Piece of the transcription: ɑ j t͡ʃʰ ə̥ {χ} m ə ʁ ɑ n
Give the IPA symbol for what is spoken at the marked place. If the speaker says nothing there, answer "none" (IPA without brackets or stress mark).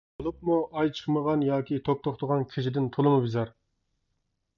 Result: χ